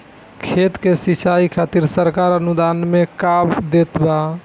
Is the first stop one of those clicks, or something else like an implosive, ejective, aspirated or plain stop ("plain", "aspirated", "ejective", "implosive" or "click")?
aspirated